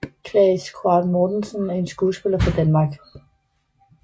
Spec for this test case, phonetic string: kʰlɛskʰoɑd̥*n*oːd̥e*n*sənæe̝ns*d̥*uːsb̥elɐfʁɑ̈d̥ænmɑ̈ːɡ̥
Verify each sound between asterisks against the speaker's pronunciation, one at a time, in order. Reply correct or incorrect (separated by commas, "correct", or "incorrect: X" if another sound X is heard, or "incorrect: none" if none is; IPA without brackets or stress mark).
incorrect: m, correct, incorrect: ɡ̥